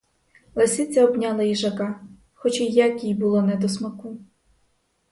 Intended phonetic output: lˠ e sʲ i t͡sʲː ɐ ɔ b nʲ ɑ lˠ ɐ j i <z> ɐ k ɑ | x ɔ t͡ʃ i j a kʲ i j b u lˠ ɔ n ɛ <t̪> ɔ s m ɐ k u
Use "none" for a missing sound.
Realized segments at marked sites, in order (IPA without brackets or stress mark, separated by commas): ʒ, d̪